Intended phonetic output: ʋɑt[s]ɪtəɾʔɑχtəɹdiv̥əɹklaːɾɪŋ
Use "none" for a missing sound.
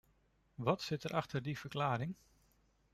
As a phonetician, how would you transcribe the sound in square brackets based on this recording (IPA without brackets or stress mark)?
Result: s